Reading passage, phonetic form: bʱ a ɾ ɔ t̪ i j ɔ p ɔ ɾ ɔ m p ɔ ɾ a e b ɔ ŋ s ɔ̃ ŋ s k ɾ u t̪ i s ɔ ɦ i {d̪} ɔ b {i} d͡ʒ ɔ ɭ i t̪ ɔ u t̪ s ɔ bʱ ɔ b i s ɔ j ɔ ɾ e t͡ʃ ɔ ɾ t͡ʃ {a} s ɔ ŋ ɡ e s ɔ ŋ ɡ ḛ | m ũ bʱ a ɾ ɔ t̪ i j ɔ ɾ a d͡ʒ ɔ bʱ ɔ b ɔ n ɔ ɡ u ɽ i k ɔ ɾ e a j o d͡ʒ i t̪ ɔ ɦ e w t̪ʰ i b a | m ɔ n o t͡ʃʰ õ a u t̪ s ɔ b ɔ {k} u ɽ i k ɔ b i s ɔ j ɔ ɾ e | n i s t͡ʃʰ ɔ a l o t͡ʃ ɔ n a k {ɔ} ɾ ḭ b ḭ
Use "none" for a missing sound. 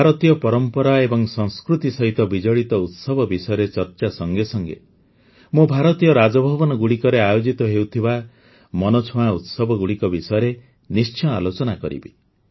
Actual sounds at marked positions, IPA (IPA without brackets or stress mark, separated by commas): t̪, i, a, ɡ, ɔ